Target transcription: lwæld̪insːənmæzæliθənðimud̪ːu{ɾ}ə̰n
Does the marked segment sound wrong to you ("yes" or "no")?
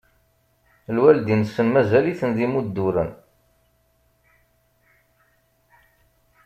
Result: no